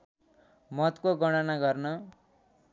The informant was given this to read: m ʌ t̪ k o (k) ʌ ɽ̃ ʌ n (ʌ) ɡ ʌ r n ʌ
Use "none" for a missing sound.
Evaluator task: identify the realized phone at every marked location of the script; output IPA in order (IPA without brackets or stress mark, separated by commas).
ɡ, a